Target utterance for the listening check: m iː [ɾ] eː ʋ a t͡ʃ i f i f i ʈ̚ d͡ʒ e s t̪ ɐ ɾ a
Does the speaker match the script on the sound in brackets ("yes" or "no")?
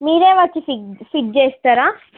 yes